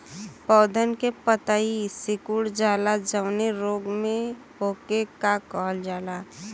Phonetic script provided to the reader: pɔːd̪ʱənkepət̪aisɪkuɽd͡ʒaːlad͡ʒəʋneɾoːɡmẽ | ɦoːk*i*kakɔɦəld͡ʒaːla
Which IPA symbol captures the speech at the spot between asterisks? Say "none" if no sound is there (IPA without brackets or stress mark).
e